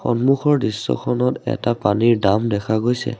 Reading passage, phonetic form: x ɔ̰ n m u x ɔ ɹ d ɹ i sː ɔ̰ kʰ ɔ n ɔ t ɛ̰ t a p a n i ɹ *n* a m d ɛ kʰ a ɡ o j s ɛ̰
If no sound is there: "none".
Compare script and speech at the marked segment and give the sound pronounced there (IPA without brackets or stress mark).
d